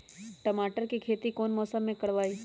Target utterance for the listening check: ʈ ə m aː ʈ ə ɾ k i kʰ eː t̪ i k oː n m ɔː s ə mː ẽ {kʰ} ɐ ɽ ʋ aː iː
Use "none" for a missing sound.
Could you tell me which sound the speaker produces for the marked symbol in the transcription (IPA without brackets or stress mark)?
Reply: k